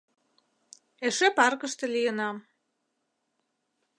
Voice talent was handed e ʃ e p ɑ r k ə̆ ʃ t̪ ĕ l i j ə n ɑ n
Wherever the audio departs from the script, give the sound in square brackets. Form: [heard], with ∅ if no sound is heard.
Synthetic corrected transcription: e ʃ e p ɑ r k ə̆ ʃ t̪ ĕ l i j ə n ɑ [m]